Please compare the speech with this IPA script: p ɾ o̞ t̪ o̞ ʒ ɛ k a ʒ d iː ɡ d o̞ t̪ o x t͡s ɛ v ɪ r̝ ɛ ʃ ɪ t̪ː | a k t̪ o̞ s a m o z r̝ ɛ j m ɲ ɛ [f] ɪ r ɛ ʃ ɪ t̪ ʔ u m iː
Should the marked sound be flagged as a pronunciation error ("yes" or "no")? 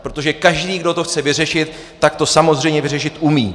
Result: yes